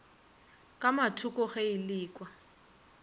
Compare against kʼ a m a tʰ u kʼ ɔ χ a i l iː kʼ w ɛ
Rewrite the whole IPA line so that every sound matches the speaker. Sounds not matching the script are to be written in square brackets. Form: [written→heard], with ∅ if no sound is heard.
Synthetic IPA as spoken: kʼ a m a tʰ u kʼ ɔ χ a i l iː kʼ w [ɛ→a]